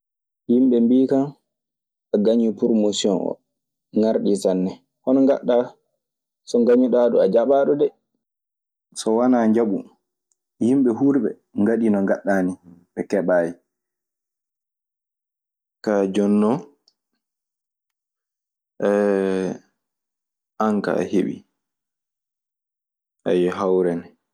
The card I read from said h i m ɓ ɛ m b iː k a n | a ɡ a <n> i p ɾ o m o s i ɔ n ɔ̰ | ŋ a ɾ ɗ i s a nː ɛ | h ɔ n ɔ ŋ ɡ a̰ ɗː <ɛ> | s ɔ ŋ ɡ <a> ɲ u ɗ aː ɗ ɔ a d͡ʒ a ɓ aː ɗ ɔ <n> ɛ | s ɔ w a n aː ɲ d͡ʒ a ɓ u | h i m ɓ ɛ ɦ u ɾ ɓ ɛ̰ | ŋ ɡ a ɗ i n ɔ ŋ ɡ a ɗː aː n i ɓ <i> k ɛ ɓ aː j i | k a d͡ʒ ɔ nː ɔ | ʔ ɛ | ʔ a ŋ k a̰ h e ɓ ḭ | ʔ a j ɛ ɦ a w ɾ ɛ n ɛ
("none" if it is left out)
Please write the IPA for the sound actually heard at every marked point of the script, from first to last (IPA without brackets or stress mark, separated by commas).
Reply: ɲ, a, a, d, ɛ